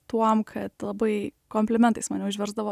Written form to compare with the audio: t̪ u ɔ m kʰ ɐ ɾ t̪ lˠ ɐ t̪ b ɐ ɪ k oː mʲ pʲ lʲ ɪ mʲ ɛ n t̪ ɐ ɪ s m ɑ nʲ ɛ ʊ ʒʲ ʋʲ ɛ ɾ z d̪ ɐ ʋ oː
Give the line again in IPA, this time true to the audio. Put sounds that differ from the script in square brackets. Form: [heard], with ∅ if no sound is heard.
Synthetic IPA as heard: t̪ u ɔ m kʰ ɐ [∅] t̪ lˠ ɐ [∅] b ɐ ɪ k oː mʲ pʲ lʲ ɪ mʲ ɛ n t̪ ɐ ɪ s m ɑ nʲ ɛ ʊ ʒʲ ʋʲ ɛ ɾ z d̪ ɐ ʋ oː